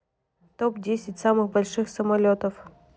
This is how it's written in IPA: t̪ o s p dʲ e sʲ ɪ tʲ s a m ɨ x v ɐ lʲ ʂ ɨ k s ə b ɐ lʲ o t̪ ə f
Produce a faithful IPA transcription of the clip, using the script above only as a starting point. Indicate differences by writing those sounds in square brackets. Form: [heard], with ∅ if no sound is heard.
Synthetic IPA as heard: t̪ o [∅] p dʲ e sʲ ɪ tʲ s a m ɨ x [b] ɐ lʲ ʂ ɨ [x] s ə [m] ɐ lʲ o t̪ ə f

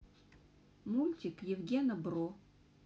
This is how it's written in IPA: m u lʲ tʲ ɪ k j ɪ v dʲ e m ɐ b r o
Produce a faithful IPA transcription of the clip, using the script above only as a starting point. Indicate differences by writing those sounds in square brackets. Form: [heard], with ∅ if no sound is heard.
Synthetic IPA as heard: m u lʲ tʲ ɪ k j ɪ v [ɡʲ] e [n] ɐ b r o

